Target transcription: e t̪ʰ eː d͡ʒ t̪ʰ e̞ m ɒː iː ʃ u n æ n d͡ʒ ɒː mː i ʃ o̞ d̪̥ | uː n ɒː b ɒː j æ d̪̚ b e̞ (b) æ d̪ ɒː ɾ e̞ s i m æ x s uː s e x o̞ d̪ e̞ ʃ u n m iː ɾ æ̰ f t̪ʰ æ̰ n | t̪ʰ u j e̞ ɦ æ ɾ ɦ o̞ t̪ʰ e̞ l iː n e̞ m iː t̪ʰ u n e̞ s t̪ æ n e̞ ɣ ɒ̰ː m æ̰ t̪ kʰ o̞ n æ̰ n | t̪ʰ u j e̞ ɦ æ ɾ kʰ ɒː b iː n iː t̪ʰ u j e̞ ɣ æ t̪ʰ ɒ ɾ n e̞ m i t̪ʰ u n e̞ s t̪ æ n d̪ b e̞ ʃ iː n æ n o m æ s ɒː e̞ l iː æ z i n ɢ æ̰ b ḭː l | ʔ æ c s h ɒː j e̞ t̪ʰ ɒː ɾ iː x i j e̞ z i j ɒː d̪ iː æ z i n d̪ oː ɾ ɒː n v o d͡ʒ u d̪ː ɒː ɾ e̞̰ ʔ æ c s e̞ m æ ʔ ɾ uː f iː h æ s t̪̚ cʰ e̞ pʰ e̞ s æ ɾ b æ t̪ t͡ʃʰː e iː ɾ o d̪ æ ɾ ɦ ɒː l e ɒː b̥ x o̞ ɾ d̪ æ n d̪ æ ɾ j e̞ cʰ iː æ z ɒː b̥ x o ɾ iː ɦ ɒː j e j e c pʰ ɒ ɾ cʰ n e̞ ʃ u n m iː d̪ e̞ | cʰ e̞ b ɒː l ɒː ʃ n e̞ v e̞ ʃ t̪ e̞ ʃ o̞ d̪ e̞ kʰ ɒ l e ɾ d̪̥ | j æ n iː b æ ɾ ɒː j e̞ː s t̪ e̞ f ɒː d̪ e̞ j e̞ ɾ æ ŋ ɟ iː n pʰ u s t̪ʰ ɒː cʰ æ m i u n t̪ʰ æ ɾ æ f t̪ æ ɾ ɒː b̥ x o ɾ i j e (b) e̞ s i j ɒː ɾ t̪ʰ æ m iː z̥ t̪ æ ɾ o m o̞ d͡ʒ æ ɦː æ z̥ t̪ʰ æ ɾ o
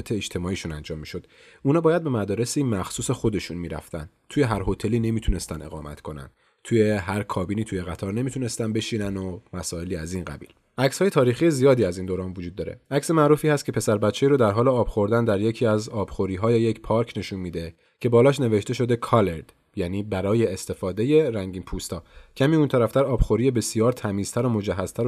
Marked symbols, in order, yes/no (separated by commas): no, yes